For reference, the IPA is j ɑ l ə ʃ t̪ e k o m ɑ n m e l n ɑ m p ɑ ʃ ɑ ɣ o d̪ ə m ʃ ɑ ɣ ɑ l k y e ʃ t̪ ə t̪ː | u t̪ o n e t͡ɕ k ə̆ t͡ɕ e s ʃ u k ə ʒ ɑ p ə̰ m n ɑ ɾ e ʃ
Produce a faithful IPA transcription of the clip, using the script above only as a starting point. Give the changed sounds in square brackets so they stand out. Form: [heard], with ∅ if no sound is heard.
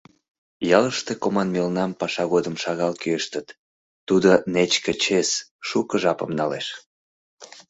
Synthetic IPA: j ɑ l ə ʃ t̪ e k o m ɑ n m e l n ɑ m p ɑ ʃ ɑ ɣ o d̪ ə m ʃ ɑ ɣ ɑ l k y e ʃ t̪ ə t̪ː | u [d̪] o n e t͡ɕ k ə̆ t͡ɕ e s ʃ u k ə ʒ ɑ p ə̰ m n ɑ [l] e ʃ